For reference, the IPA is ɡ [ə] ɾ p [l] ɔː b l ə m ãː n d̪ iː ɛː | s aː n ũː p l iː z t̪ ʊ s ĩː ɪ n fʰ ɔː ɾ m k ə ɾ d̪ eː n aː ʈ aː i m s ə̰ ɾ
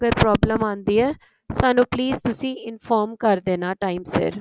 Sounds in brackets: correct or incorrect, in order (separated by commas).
correct, incorrect